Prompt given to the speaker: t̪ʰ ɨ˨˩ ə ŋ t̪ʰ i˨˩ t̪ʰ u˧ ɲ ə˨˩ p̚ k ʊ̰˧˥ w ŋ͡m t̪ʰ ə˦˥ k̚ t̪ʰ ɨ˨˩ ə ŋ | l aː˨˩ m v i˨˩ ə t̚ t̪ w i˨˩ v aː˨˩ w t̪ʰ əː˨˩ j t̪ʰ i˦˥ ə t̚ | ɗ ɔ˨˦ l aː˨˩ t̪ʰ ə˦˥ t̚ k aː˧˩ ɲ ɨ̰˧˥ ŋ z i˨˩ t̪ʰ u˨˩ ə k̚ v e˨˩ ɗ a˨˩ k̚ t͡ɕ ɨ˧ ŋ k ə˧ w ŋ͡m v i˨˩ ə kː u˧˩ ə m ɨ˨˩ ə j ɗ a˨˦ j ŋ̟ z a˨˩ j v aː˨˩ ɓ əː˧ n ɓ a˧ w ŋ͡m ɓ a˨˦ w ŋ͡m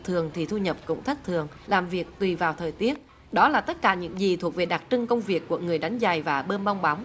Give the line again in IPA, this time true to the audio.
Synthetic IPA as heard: t̪ʰ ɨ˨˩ ə ŋ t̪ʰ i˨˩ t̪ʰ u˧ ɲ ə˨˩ p̚ k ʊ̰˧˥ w ŋ͡m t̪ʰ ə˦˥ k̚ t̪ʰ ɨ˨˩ ə ŋ | l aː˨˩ m v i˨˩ ə k̚ t̪ w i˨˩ v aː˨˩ w t̪ʰ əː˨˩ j t̪ i˦˥ ə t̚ | ɗ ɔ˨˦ l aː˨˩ t̪ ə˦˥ t̚ k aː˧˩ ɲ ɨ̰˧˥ ŋ z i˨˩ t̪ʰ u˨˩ ə k̚ v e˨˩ ɗ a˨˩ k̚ t͡ɕ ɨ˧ ŋ k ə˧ w ŋ͡m v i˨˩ ə kː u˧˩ ə ŋ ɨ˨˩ ə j ɗ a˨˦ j ŋ̟ z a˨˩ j v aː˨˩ ɓ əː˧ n ɓ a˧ w ŋ͡m ɓ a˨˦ w ŋ͡m

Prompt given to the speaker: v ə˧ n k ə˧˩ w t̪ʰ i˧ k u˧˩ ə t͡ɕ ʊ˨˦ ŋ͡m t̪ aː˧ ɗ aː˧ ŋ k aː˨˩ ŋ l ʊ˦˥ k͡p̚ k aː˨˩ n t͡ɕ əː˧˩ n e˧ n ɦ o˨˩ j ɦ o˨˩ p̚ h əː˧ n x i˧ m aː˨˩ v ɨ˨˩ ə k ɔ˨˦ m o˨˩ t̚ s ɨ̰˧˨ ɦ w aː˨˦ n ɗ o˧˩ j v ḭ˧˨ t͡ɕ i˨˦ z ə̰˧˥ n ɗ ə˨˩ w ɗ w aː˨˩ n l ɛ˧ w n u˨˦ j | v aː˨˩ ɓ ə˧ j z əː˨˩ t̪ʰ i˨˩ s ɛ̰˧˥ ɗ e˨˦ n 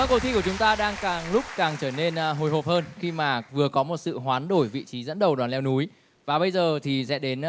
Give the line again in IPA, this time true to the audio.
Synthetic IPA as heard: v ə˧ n k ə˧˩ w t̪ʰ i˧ k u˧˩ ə t͡ɕ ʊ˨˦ ŋ͡m t̪ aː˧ ɗ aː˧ ŋ k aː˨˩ ŋ l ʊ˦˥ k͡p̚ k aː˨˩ ŋ t͡ɕ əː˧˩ n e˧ n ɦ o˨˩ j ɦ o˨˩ p̚ h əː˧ n x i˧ m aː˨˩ v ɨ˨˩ ə k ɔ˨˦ m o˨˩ t̚ s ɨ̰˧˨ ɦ w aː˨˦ n ɗ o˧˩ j v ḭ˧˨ t͡ɕ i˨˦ z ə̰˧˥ n ɗ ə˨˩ w ɗ w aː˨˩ n l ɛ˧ w n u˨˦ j | v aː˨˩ ɓ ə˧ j z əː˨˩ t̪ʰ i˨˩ s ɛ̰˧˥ ɗ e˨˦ n

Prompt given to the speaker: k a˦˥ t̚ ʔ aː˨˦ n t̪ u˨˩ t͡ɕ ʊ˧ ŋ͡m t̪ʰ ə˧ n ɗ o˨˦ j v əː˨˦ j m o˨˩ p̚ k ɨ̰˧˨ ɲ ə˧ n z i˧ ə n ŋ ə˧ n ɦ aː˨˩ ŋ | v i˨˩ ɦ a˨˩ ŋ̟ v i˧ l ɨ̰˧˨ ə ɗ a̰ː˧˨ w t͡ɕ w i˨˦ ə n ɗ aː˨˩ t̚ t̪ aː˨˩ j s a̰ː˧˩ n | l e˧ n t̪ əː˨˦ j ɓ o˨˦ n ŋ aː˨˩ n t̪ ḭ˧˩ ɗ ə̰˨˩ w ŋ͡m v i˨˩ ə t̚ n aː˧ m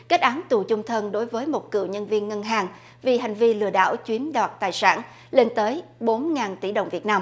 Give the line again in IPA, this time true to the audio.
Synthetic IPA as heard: k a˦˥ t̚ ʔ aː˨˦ n t̪ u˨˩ t͡ɕ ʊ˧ ŋ͡m t̪ʰ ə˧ n ɗ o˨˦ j v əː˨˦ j m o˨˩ t̚ k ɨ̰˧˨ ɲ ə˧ n v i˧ ə n ŋ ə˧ n ɦ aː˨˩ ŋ | v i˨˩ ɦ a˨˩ ŋ̟ v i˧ l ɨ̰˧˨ ə ɗ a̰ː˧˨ w t͡ɕ w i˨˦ ə n ɗ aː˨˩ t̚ t̪ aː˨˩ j s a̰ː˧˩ n | l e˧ n t̪ əː˨˦ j ɓ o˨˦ n ŋ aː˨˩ n t̪ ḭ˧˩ ɗ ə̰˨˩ w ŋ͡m v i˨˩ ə t̚ n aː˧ m

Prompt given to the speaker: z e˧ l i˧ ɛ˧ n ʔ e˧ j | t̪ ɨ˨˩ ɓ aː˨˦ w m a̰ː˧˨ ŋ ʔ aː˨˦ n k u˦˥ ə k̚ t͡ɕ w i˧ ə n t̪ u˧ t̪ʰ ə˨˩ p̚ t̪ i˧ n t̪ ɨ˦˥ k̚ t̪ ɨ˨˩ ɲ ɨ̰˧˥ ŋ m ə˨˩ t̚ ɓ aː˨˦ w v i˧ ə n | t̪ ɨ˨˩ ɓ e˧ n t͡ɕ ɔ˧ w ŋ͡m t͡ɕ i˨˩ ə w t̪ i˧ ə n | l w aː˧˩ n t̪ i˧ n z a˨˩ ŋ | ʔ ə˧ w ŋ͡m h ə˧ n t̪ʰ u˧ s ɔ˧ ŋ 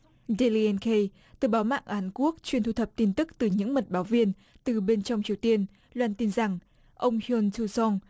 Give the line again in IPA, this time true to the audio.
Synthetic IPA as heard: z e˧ l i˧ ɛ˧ n k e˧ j | t̪ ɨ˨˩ ɓ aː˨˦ w m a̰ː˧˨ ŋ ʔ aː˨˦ n k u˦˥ ə k̚ t͡ɕ w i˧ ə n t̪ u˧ t̪ʰ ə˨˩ p̚ t̪ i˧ n t̪ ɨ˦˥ k̚ t̪ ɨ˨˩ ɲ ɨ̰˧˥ ŋ m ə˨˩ t̚ ɓ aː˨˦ w v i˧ ə n | t̪ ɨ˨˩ ɓ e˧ n t͡ɕ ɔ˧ w ŋ͡m t͡ɕ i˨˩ ə w t̪ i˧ ə n | l w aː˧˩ n t̪ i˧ n z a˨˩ ŋ | ʔ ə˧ w ŋ͡m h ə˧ n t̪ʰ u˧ s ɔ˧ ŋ

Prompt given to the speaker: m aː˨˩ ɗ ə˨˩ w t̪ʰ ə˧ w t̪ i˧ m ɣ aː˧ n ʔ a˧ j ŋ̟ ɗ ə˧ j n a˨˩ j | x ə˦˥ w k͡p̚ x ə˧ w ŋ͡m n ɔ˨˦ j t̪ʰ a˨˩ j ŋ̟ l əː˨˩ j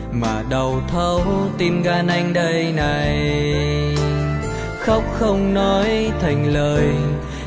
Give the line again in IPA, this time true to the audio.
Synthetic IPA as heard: m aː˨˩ ɗ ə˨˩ w t̪ʰ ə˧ w t̪ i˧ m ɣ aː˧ n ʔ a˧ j ŋ̟ ɗ ə˧ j n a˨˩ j | x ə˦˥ w k͡p̚ x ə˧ w ŋ͡m n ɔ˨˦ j t̪ʰ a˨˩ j ŋ̟ l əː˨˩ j

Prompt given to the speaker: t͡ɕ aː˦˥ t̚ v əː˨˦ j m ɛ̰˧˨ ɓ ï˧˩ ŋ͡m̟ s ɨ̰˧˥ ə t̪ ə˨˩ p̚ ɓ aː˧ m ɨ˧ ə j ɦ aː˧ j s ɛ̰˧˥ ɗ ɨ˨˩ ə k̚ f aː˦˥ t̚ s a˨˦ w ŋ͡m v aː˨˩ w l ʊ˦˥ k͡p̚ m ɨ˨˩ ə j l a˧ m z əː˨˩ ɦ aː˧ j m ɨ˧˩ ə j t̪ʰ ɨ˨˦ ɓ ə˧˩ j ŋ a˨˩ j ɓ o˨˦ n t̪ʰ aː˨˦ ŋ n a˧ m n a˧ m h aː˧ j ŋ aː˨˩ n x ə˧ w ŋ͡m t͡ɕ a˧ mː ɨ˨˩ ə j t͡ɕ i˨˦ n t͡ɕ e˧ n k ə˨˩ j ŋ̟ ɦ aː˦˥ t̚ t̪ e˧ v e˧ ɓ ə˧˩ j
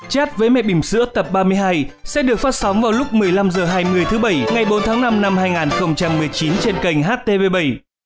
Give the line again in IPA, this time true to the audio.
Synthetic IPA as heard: t͡ɕ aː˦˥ t̚ v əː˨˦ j m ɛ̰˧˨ ɓ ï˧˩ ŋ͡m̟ s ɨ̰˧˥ ə t̪ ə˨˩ p̚ ɓ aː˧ m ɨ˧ ə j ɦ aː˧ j s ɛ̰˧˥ ɗ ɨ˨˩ ə k̚ f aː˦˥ t̚ s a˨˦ w ŋ͡m v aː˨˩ w l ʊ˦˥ k͡p̚ m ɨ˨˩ ə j l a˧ m z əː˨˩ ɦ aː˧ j m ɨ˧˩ ə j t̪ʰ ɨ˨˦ ɓ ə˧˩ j ŋ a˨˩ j ɓ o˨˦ n t̪ʰ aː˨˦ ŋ n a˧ m n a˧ m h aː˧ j ŋ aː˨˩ n x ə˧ w ŋ͡m t͡ɕ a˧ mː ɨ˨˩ ə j t͡ɕ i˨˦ n t͡ɕ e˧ n k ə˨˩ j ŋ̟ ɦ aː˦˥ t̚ t̪ e˧ v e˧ ɓ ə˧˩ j

